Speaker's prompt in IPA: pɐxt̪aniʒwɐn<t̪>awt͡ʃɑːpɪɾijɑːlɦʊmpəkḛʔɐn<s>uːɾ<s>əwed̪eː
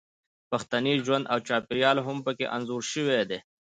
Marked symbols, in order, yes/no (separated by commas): no, no, no